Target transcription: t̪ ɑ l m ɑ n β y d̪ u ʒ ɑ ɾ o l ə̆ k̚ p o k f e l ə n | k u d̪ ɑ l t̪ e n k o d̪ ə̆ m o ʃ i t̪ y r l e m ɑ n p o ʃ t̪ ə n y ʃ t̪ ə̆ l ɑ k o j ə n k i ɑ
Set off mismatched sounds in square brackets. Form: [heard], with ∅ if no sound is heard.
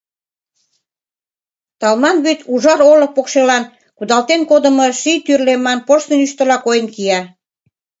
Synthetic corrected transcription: t̪ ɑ l m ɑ n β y [t̪] u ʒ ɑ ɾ o l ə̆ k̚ p o k [ʃ] e l [ɑ] n | k u d̪ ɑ l t̪ e n k o d̪ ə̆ m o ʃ i t̪ y r l e m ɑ n p o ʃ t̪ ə n y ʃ t̪ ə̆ l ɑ k o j ə n k i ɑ